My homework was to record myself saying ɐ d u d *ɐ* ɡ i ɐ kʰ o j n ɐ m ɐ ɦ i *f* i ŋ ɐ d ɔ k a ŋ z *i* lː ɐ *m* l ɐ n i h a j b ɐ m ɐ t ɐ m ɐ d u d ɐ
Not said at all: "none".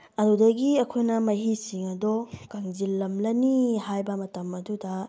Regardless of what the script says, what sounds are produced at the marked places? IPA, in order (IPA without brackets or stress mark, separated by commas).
ɐ, s, i, m